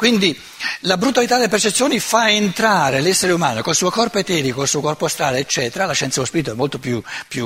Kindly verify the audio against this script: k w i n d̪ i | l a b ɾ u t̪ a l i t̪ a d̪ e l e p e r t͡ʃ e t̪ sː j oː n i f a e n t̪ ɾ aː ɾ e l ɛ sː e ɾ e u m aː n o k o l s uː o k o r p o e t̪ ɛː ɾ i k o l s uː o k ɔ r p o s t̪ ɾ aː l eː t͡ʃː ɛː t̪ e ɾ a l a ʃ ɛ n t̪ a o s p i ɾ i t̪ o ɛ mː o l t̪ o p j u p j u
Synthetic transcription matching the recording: k w i n d̪ i | l a b ɾ u t̪ a l i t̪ a d̪ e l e p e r t͡ʃ e t̪ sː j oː n i f a e n t̪ ɾ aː ɾ e l ɛ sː e ɾ e u m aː n o k o l s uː o k ɔ r p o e t̪ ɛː ɾ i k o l s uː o k ɔ r p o s t̪ ɾ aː l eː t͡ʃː ɛː t̪ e ɾ a l a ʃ ɛ n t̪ a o s p i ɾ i t̪ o ɛ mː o l t̪ o p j u p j u